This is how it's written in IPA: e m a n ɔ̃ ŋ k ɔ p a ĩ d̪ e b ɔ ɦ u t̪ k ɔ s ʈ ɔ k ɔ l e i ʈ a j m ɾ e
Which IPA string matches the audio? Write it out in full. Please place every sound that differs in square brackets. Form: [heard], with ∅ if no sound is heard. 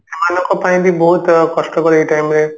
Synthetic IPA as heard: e m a n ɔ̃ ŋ k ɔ p a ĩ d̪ [i] b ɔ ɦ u t̪ k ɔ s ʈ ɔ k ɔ [ɾ] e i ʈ a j m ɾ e